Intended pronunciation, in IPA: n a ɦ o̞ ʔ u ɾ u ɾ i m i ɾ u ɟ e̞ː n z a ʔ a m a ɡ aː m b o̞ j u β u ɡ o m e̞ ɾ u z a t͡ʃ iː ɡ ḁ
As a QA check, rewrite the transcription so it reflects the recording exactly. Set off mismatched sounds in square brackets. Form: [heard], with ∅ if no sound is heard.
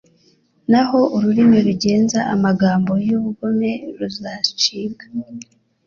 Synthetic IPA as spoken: n a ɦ o̞ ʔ u ɾ u ɾ i m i ɾ u ɟ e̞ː n z a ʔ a m a ɡ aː m b o̞ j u β u ɡ o m e̞ ɾ u z a t͡ʃ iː ɡ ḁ

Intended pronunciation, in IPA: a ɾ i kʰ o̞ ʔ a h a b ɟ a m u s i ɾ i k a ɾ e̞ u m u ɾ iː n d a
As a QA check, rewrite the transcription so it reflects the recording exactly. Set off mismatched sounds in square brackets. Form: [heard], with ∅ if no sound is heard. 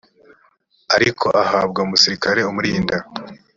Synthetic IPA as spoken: a ɾ i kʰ o̞ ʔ a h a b [ɡ] a m u s i ɾ i k a ɾ e̞ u m u ɾ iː n d a

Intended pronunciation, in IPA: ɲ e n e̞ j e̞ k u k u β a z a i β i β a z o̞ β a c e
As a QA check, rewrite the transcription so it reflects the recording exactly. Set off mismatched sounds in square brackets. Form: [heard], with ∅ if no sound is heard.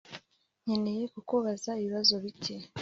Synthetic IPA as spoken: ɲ e n e̞ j e̞ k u k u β a z a i β i β a z o̞ β [i] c e

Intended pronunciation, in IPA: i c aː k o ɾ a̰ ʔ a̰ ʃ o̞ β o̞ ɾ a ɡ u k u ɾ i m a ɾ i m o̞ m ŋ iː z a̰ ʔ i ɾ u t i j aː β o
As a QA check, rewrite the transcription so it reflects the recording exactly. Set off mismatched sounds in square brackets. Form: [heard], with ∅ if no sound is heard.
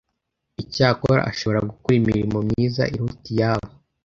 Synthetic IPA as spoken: i c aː k o ɾ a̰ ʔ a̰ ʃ o̞ β o̞ ɾ a ɡ u k u ɾ i m [i] ɾ i m o̞ m [ɲ] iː z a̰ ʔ i ɾ u t i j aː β o

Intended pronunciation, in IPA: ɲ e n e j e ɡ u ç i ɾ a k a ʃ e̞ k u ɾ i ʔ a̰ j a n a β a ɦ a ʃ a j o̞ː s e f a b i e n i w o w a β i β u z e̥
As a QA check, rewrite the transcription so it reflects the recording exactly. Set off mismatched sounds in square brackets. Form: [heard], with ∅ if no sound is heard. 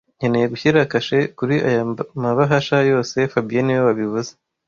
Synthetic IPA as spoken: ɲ e n e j e ɡ u ç i ɾ a k a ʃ e̞ k u ɾ i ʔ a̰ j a [m] a β a ɦ a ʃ a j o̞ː s e f a b i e n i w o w a β i β u z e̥

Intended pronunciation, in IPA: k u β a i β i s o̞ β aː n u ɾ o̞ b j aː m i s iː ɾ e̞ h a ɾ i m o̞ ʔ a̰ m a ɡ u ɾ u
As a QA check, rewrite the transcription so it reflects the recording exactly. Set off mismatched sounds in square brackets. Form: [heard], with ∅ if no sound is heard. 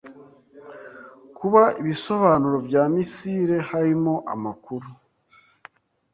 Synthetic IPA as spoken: k u β a i β i s o̞ β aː n u ɾ o̞ b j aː m i s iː ɾ e̞ h a ɾ i m o̞ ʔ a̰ m a [k] u ɾ u

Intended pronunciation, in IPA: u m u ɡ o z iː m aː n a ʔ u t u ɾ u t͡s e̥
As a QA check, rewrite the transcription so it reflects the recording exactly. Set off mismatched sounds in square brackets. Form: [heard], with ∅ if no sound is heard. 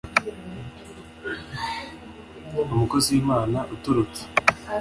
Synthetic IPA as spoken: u m u [k] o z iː m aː n a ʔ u t u ɾ u t͡s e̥

